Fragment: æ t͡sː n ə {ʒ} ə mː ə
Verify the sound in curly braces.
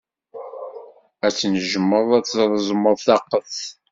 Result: correct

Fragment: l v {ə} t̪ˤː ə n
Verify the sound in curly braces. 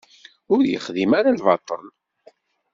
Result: incorrect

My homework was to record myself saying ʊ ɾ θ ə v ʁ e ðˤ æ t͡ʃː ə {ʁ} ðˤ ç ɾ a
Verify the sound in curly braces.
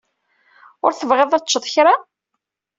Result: incorrect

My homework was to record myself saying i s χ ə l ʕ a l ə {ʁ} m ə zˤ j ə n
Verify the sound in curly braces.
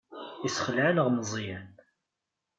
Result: correct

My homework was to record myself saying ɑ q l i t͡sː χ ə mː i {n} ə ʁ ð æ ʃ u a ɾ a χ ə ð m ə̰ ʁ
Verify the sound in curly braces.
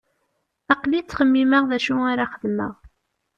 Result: incorrect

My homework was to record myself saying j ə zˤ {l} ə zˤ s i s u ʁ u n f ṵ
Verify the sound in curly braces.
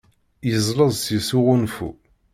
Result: correct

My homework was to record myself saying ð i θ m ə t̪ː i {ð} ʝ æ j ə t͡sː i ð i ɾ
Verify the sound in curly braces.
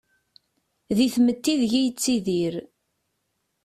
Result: correct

